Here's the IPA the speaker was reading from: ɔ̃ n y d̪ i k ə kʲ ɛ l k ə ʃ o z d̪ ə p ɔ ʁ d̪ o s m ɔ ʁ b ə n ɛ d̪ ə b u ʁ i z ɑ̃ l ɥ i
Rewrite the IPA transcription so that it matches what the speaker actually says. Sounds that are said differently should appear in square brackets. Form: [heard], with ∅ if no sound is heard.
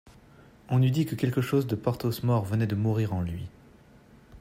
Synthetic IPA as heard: ɔ̃ n y d̪ i k ə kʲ ɛ l k ə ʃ o z d̪ ə p ɔ ʁ [t̪] o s m ɔ ʁ [v] ə n ɛ d̪ ə [m] u ʁ i [ʁ] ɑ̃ l ɥ i

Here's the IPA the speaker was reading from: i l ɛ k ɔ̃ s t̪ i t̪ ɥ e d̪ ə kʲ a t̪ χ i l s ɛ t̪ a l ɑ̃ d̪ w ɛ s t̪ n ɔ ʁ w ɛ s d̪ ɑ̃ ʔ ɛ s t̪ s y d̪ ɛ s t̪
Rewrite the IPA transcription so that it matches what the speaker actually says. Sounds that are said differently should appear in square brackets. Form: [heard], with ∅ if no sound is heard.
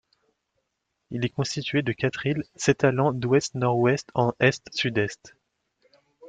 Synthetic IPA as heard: i l ɛ k ɔ̃ s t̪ i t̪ ɥ e d̪ ə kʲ a t̪ χ i l s ɛ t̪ a l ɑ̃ d̪ w ɛ s t̪ n ɔ ʁ w ɛ s [t̪] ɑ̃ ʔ ɛ s t̪ s y d̪ ɛ s t̪

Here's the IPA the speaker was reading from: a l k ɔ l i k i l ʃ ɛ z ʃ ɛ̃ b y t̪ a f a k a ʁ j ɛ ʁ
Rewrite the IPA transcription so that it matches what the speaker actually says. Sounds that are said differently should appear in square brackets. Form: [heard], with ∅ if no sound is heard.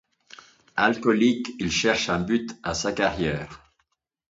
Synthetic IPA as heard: a l k ɔ l i k i l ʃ ɛ [ʁ] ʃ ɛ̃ b y t̪ a [s] a k a ʁ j [ɛː] ʁ

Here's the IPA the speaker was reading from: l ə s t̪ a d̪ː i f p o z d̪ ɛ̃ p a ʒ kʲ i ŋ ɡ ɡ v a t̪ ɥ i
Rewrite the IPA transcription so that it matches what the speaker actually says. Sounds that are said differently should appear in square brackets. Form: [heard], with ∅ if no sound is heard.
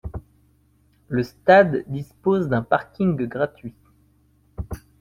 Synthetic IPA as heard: l ə s t̪ a d̪ː i [s] p o z d̪ ɛ̃ p a [ʁ] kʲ i ŋ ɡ ɡ [ʁ] a t̪ ɥ i

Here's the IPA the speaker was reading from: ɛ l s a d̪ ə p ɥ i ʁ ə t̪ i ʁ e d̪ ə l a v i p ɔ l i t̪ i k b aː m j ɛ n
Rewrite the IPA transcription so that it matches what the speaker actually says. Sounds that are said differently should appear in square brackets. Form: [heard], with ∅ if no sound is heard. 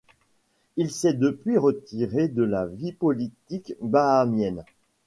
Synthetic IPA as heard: [i] l s [ɛ] d̪ ə p ɥ i ʁ ə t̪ i ʁ e d̪ ə l a v i p ɔ l i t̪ i k b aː m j ɛ n

